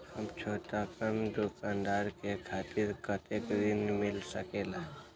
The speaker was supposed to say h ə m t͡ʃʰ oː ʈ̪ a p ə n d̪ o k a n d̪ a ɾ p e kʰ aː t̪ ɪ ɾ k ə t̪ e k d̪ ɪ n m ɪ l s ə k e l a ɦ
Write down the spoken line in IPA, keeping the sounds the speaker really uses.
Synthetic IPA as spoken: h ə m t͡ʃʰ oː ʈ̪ a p ə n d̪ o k a n d̪ a ɾ k e kʰ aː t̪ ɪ ɾ k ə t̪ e k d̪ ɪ n m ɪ l s ə k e l a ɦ

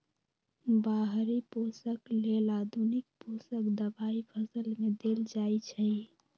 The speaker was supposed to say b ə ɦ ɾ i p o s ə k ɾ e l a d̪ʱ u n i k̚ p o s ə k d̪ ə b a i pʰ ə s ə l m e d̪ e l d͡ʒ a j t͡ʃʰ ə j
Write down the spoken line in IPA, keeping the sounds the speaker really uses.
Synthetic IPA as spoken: b a ɦ ɾ i p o s ə k l e l a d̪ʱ u n i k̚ p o s ə k d̪ ə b a i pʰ ə s ə l m e d̪ e l d͡ʒ a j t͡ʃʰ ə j

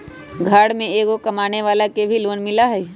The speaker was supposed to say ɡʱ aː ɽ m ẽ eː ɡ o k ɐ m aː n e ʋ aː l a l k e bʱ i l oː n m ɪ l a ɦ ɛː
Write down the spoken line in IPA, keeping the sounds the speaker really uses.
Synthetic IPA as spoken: ɡʱ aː ɽ m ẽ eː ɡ o k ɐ m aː n e ʋ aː l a k e bʱ i l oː n m ɪ l a ɦ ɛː

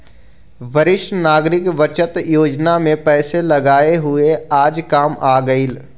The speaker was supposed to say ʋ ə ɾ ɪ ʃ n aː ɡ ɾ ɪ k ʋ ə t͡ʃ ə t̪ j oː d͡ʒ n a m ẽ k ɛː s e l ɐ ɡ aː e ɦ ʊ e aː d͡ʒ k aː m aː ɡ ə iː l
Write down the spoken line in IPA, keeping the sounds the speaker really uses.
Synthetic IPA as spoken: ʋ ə ɾ ɪ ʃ n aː ɡ ɾ ɪ k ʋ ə t͡ʃ ə t̪ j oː d͡ʒ n a m ẽ p ɛː s e l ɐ ɡ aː e ɦ ʊ e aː d͡ʒ k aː m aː ɡ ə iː l

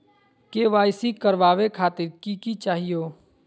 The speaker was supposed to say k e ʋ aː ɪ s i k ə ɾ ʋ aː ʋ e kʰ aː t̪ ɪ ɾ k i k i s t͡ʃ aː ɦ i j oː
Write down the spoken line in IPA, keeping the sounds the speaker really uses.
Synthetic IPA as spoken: k e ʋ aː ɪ s i k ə ɾ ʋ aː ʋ e kʰ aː t̪ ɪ ɾ k i k i t͡ʃ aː ɦ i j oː

